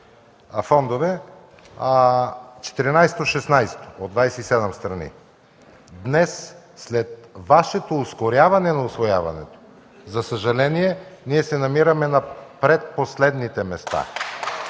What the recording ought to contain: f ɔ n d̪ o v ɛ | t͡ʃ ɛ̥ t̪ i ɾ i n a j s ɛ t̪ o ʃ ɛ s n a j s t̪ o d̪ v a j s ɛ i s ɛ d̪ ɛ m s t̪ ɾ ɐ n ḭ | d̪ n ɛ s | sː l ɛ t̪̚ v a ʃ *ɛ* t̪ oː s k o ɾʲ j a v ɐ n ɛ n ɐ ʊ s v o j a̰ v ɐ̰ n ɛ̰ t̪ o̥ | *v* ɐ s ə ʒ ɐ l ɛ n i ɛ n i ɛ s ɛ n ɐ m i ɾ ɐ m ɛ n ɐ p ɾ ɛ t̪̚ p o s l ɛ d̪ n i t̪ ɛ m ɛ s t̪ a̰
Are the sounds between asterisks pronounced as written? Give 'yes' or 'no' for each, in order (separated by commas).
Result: yes, no